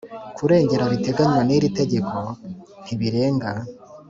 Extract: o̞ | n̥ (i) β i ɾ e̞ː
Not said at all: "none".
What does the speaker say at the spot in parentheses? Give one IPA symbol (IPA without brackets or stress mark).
i